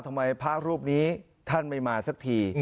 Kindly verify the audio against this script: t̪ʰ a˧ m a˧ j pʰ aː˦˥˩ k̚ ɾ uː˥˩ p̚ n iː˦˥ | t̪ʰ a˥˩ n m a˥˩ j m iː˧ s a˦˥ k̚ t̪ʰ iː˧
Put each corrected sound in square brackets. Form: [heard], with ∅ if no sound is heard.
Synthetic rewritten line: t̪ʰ a˧ m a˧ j pʰ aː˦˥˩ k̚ ɾ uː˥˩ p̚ n iː˦˥ | t̪ʰ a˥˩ n m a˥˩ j m [aː˧] s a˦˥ k̚ t̪ʰ iː˧

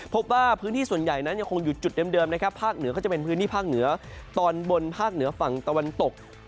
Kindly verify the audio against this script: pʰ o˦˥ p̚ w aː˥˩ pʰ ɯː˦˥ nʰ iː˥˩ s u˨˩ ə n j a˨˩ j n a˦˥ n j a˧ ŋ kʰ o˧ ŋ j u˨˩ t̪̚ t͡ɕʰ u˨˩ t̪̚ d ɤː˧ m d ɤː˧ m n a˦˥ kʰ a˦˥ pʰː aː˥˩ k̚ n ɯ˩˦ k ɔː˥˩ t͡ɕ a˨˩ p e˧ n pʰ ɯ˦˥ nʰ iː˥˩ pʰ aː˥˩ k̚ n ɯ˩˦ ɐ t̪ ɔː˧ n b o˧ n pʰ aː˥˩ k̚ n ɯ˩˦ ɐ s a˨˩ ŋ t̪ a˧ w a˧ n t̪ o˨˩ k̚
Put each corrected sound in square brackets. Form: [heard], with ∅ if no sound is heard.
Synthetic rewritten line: pʰ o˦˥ p̚ w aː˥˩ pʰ ɯː˦˥ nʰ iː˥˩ s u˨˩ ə n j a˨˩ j n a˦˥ n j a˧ ŋ kʰ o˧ ŋ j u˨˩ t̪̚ [t͡ɕ] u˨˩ t̪̚ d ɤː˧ m d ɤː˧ m n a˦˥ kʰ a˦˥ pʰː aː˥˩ k̚ n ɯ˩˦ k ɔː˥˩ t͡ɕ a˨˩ p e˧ n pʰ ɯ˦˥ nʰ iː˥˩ pʰ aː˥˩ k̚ n ɯ˩˦ ɐ t̪ ɔː˧ n b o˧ n pʰ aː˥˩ k̚ n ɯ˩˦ ɐ [f] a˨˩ ŋ t̪ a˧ w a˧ n t̪ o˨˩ k̚

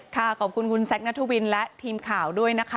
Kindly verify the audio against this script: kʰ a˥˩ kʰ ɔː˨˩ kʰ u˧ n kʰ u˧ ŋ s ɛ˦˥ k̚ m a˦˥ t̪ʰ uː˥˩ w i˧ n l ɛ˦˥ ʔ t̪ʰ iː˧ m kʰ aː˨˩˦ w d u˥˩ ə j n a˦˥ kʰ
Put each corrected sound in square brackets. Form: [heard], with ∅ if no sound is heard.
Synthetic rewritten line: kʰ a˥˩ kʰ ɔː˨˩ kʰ u˧ n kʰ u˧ [n] s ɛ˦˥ k̚ [n] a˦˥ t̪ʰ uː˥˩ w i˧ n l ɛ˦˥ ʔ t̪ʰ iː˧ m kʰ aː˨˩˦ w d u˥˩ ə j n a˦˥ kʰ

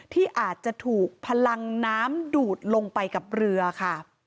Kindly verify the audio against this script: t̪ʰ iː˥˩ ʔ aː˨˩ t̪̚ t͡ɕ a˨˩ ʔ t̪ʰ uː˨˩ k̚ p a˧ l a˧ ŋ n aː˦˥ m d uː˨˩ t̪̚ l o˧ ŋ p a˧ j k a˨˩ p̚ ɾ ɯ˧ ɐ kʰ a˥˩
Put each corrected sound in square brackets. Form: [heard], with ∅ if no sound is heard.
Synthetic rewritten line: t̪ʰ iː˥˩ ʔ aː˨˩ t̪̚ t͡ɕ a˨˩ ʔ t̪ʰ uː˨˩ k̚ [pʰ] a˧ l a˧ ŋ n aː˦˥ m d uː˨˩ t̪̚ l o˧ ŋ p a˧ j k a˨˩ p̚ ɾ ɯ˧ ɐ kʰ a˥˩

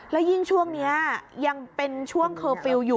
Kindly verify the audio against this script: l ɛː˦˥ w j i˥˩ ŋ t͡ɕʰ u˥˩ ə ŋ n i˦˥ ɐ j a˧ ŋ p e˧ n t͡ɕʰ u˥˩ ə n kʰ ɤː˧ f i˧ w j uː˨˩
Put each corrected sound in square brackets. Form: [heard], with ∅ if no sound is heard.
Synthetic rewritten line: l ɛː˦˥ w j i˥˩ ŋ t͡ɕʰ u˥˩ ə ŋ n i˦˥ ɐ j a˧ ŋ p e˧ n t͡ɕʰ u˥˩ ə [ŋ] kʰ ɤː˧ f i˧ w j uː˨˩

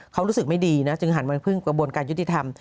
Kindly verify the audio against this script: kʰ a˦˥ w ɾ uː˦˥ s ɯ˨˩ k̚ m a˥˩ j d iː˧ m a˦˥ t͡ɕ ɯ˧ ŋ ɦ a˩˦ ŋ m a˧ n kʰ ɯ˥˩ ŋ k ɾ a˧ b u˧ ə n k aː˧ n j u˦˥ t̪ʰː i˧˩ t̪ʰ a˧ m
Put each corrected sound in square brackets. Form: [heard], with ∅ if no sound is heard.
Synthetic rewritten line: kʰ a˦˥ w ɾ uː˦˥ s ɯ˨˩ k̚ m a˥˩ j d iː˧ [n] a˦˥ t͡ɕ ɯ˧ ŋ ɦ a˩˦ [n] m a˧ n [pʰ] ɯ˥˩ ŋ k ɾ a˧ b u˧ ə n k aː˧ n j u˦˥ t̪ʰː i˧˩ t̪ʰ a˧ m

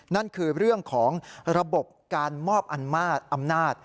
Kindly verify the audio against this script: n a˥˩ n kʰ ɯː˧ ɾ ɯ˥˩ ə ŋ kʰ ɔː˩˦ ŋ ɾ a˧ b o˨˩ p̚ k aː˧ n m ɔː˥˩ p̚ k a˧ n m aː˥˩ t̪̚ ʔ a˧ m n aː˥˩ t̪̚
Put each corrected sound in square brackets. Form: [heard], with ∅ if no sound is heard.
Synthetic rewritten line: n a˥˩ n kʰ ɯː˧ ɾ ɯ˥˩ ə ŋ kʰ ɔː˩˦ ŋ ɾ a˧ b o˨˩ p̚ k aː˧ n m ɔː˥˩ p̚ [ʔ] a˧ n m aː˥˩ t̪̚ ʔ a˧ m n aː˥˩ t̪̚

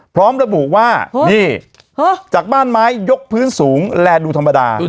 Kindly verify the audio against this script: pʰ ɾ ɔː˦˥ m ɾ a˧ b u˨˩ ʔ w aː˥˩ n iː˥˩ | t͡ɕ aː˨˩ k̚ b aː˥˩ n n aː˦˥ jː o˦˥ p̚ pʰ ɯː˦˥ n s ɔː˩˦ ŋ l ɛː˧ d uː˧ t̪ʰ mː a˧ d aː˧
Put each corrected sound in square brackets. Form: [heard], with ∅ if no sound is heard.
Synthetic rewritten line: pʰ ɾ ɔː˦˥ m ɾ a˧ b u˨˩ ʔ w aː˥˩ n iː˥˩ | t͡ɕ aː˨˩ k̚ b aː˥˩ n [m] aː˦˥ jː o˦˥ [k̚] pʰ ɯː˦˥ n s [uː˩˦] ŋ l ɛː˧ d uː˧ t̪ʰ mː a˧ d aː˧

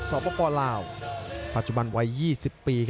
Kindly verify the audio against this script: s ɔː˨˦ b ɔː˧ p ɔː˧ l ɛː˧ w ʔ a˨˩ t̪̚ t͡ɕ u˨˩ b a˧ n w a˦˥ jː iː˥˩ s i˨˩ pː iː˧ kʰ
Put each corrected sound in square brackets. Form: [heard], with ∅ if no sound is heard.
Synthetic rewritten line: s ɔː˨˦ [p] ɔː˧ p ɔː˧ l [aː˧] w [p] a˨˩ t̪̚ t͡ɕ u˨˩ b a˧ n w a˦˥ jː iː˥˩ s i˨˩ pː iː˧ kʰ

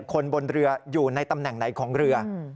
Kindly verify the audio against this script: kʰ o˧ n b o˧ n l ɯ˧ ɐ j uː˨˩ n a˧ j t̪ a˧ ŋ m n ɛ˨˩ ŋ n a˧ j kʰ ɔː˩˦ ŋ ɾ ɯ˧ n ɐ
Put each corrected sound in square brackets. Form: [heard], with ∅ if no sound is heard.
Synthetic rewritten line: kʰ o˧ n b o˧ n [ɾ] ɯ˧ ɐ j uː˨˩ n a˧ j t̪ a˧ [∅] m n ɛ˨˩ ŋ n [a˩˦] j kʰ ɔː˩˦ ŋ ɾ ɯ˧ [∅] ɐ

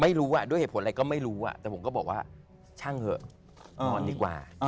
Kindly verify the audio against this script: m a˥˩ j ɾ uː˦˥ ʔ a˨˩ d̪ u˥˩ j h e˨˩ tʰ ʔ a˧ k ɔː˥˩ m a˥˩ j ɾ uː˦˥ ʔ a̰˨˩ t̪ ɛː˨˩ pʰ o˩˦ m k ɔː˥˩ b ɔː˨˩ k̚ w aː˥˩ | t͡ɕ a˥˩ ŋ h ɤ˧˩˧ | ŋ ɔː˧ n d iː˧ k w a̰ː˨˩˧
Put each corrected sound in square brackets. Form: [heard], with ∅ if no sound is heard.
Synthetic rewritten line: m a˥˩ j ɾ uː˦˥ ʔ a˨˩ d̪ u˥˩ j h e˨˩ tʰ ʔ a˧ k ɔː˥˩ m a˥˩ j ɾ uː˦˥ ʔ a̰˨˩ t̪ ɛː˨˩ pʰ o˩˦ m k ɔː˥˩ b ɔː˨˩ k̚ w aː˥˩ | [t͡ɕʰ] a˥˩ ŋ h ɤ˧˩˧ | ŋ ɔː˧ n d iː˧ k w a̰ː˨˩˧

